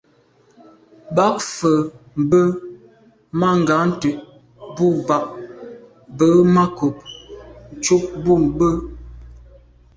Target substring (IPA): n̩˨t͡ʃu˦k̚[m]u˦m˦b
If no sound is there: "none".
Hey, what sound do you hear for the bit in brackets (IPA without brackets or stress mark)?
b